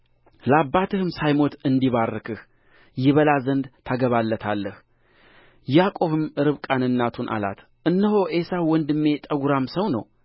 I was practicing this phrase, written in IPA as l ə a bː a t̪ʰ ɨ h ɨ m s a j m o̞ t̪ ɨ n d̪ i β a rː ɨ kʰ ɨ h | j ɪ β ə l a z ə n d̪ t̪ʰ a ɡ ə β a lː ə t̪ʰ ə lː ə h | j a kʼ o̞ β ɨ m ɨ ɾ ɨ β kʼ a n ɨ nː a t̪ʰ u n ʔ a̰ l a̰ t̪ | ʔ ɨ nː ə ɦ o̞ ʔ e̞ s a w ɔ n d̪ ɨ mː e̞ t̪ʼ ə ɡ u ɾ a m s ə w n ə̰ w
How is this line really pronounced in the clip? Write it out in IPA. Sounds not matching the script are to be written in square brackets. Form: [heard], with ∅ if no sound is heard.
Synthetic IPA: l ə a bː a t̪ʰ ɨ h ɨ m s a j m o̞ t̪ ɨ n d̪ i β a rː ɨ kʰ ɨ h | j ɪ β ə l a z ə n d̪ t̪ʰ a ɡ ə β a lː ə t̪ʰ [a] lː ə h | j a kʼ o̞ β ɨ m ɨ ɾ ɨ β kʼ a n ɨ nː a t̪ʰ u n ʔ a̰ l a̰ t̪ | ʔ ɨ nː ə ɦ o̞ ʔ e̞ s a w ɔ n d̪ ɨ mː e̞ t̪ʼ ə ɡ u ɾ a m s ə w n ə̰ w